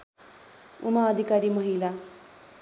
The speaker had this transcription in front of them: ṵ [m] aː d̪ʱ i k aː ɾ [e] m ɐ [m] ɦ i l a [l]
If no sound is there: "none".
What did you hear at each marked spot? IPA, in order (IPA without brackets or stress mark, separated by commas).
m, i, none, none